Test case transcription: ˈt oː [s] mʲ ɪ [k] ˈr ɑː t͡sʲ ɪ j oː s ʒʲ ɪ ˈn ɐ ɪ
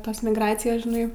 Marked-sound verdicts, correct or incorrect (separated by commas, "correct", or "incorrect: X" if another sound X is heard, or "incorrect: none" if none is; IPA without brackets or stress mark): correct, incorrect: ɡ